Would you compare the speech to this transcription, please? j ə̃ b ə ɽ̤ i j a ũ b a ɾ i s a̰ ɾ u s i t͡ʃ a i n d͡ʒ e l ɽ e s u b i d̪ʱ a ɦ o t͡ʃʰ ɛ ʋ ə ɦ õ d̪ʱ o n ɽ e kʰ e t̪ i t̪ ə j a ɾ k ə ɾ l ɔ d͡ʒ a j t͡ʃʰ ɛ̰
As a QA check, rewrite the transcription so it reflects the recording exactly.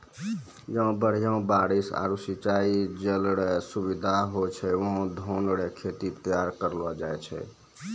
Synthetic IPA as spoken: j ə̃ b ə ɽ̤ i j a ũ b a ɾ i s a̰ ɾ u s i t͡ʃ a i d͡ʒ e l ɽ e s u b i d̪ʱ a ɦ o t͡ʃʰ ɛ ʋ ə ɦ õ d̪ʱ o n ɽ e kʰ e t̪ i t̪ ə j a ɾ k ə ɾ l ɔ d͡ʒ a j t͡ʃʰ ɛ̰